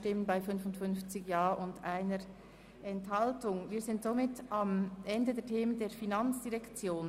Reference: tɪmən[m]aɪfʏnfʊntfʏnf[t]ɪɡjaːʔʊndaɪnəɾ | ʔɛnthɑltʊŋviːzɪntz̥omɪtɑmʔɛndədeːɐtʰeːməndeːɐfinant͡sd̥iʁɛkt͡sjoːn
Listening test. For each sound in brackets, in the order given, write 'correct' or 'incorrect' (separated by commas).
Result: incorrect, incorrect